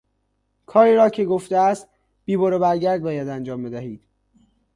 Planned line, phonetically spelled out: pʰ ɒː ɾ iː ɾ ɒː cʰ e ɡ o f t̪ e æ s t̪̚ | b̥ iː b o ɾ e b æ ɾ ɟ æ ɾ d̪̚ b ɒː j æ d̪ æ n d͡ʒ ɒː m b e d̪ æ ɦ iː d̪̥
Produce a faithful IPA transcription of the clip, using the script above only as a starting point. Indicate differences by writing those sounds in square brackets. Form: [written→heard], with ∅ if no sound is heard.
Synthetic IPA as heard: [pʰ→kʰ] ɒː ɾ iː ɾ ɒː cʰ e ɡ o f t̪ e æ s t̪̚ | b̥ iː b o ɾ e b æ ɾ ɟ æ ɾ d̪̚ b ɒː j æ d̪ æ n d͡ʒ ɒː m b e d̪ æ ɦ iː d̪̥